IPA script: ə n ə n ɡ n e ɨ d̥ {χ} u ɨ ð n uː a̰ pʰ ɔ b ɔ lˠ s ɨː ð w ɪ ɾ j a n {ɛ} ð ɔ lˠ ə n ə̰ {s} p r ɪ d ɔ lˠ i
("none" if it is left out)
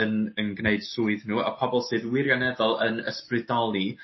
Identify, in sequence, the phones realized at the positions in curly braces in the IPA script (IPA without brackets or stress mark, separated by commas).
s, ɛ, s